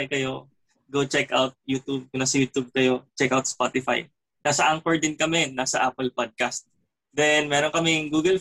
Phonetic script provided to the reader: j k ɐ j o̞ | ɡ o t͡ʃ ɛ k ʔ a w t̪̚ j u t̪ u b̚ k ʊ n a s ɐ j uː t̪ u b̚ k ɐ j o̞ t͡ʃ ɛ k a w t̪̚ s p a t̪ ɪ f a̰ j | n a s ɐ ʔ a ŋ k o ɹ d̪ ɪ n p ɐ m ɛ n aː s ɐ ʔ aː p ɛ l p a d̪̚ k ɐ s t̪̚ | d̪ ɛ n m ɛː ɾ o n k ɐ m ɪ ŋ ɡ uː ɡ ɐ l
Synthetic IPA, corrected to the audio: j k ɐ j o̞ | ɡ o t͡ʃ ɛ k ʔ a w t̪̚ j u t̪ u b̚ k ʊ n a s ɐ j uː t̪ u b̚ k ɐ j o̞ t͡ʃ ɛ k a w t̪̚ s p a t̪ ɪ f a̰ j | n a s ɐ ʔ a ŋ k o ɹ d̪ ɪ n k ɐ m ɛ n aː s ɐ ʔ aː p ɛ l p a d̪̚ k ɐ s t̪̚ | d̪ ɛ n m ɛː ɾ o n k ɐ m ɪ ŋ ɡ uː ɡ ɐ l